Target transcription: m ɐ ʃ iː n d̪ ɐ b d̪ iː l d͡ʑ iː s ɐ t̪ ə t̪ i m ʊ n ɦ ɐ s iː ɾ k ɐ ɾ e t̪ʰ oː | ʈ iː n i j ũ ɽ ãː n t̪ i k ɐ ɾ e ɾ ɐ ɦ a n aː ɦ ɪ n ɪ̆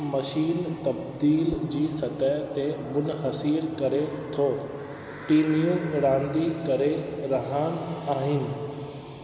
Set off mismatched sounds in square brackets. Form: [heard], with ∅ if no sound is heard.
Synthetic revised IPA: m ɐ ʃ iː n [t̪] ɐ b d̪ iː l d͡ʑ iː s ɐ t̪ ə t̪ [e] m ʊ n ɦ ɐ s iː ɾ k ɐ ɾ e t̪ʰ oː | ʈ iː n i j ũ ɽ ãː n [d̪] i k ɐ ɾ e ɾ ɐ ɦ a n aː ɦ ɪ n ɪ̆